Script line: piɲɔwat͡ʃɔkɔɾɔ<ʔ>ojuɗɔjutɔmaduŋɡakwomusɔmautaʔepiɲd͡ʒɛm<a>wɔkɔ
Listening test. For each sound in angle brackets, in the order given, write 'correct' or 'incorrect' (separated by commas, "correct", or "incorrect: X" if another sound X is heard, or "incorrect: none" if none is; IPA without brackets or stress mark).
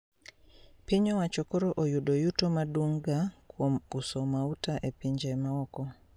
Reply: correct, correct